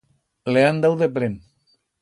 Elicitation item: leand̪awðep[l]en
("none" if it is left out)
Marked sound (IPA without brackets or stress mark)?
ɾ